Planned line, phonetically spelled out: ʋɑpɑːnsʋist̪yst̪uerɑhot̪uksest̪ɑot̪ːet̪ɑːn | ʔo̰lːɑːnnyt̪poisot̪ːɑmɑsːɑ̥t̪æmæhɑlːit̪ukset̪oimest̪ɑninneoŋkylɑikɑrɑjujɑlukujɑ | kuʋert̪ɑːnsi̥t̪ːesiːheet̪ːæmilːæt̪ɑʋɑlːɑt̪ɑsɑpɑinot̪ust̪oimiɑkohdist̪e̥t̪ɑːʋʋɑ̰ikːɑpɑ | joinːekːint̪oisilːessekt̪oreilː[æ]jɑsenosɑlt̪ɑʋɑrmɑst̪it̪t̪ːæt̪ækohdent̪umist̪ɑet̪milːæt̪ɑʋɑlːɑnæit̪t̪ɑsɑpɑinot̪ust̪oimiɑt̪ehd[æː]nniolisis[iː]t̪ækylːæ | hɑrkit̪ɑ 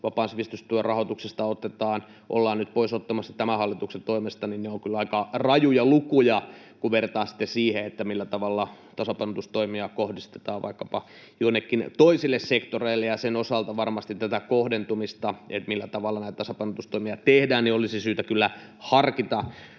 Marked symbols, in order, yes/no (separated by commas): no, yes, no